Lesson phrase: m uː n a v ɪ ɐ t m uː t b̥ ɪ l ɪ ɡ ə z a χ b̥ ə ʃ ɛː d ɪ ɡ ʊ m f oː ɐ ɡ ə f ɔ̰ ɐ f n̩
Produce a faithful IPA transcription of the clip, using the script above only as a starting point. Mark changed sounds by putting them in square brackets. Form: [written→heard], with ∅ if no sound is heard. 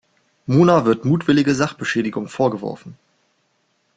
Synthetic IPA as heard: m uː n a v ɪ ɐ t m uː t [b̥→v̥] ɪ l ɪ ɡ ə z a χ b̥ ə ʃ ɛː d ɪ ɡ ʊ [m→ŋ] f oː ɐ ɡ ə [f→v] ɔ̰ ɐ f n̩